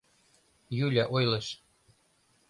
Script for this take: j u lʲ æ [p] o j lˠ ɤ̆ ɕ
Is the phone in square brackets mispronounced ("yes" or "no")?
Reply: yes